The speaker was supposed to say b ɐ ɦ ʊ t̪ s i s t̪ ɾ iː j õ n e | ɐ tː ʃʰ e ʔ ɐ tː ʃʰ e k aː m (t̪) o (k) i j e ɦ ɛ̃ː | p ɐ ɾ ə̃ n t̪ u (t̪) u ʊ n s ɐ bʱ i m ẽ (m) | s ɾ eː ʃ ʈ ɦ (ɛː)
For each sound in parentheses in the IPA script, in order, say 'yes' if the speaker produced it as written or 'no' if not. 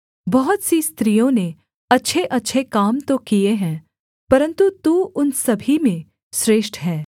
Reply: yes, yes, yes, no, yes

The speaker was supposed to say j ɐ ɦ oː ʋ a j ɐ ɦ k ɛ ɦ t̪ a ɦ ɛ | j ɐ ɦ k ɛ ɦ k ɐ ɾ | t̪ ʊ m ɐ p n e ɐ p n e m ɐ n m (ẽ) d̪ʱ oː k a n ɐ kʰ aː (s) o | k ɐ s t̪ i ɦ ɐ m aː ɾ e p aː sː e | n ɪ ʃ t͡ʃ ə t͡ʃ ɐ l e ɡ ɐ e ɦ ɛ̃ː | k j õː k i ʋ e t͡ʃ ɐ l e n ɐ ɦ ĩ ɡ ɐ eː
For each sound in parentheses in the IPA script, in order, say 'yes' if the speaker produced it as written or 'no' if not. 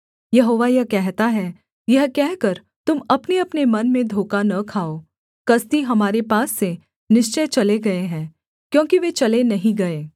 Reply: yes, no

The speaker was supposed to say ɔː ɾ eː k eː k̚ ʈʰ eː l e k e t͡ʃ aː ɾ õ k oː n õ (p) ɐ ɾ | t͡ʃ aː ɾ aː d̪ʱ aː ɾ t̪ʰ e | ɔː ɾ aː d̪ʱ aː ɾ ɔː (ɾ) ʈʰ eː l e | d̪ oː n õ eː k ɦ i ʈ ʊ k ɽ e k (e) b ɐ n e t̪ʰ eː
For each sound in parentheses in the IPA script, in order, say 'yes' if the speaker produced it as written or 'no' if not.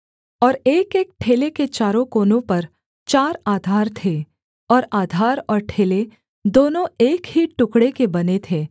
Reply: yes, yes, yes

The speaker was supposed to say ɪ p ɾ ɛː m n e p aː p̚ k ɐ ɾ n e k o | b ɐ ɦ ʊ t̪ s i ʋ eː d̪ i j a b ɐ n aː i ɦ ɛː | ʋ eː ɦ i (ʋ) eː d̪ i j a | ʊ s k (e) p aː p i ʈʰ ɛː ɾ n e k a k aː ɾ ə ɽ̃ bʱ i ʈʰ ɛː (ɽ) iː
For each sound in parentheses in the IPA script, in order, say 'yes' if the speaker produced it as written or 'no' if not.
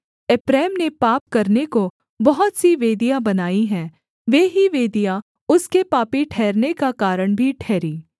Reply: yes, yes, no

